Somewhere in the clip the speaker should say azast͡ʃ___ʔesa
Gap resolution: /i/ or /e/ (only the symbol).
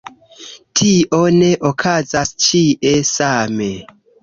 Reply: i